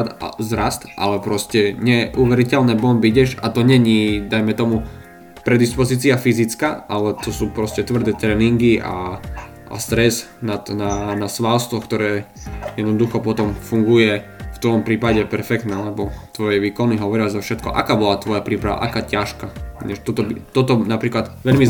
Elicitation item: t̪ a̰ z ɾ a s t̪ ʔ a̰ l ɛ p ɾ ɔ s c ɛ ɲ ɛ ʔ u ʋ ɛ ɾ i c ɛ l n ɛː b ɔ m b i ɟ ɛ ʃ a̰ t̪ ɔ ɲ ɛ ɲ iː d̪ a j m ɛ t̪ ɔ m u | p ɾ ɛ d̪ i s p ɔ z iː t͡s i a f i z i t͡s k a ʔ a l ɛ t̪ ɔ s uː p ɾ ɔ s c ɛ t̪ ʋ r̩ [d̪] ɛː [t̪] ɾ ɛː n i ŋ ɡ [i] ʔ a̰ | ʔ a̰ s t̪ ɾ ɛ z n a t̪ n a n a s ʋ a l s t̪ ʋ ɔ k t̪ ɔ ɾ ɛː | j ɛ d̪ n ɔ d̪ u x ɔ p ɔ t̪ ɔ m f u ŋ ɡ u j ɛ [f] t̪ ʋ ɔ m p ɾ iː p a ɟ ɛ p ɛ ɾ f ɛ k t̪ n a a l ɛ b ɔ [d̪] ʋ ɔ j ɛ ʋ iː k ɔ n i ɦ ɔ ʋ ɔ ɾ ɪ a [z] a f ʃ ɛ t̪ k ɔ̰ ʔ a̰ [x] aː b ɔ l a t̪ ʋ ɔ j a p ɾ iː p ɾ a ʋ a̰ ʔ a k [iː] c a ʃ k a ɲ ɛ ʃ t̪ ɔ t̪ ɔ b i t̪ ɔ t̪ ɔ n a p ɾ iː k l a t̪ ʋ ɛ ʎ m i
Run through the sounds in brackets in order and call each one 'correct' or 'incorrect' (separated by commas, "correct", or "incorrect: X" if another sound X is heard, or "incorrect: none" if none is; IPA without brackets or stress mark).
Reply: correct, correct, correct, correct, incorrect: t̪, correct, incorrect: k, incorrect: aː